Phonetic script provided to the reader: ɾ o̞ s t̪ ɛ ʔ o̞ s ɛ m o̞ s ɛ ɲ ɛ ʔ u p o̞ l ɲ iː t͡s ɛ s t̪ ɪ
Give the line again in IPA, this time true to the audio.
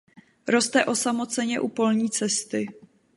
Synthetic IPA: ɾ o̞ s t̪ ɛ ʔ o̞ s a m o̞ t͡s ɛ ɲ ɛ ʔ u p o̞ l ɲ iː t͡s ɛ s t̪ ɪ